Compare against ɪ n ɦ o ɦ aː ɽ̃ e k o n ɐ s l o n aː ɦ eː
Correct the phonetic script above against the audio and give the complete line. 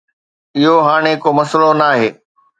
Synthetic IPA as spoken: ɪ ɦ o ɦ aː ɽ̃ e k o m ɐ s l o n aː ɦ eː